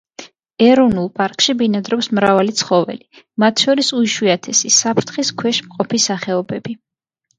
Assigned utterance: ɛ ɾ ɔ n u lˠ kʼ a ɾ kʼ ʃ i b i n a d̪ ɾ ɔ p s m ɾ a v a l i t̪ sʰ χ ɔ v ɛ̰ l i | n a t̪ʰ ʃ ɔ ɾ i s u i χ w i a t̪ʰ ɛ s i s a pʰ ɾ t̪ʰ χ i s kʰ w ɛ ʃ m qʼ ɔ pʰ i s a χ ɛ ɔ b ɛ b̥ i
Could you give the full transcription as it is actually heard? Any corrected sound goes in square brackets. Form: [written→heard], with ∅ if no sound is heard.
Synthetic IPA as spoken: ɛ ɾ ɔ n u lˠ [kʼ→pʼ] a ɾ kʼ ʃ i b i n a d̪ ɾ ɔ p s m ɾ a v a l i t̪ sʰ χ ɔ v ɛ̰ l i | [n→m] a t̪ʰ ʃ ɔ ɾ i s u i [χ→ʃ] w i a t̪ʰ ɛ s i s a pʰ ɾ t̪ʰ χ i s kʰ w ɛ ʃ m qʼ ɔ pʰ i s a χ ɛ ɔ b ɛ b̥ i